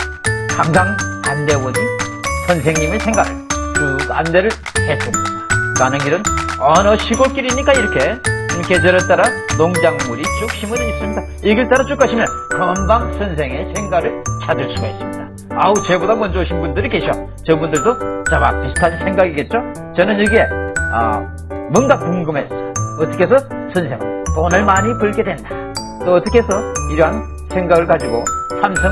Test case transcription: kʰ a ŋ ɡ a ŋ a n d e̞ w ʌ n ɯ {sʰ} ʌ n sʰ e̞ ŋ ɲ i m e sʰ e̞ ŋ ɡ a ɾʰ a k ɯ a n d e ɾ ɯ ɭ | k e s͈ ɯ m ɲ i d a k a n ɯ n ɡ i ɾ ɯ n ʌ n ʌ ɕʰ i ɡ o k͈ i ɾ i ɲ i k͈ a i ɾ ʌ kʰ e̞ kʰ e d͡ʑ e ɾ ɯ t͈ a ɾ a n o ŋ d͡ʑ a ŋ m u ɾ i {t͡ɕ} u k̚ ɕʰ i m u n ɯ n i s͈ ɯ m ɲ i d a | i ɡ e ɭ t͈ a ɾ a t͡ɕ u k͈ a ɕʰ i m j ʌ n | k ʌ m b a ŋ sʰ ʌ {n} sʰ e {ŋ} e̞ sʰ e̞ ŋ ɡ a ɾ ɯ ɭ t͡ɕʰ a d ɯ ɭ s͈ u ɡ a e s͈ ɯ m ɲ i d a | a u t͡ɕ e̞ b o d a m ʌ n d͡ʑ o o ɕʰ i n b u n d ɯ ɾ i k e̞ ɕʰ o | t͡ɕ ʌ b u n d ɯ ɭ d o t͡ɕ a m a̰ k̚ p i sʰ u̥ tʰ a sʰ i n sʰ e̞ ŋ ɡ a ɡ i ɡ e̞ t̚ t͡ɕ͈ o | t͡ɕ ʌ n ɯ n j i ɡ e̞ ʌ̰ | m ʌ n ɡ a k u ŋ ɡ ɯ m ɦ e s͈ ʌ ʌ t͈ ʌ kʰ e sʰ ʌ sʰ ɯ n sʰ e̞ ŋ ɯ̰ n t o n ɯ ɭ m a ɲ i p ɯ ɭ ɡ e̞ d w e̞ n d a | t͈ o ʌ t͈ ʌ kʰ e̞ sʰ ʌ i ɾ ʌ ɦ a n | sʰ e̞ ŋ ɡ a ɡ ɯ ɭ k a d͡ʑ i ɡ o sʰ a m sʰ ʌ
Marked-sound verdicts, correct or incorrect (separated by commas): correct, correct, correct, correct